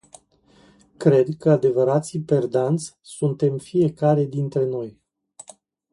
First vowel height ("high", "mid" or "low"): mid